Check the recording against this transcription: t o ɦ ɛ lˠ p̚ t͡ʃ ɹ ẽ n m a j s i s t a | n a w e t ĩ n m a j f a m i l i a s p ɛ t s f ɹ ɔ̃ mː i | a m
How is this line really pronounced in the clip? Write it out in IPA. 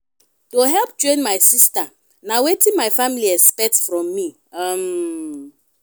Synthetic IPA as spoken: t o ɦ ɛ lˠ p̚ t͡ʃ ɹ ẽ n m a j s i s t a | n a w e t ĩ n m a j f a m i l i ɛ s p ɛ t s f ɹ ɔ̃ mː i | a m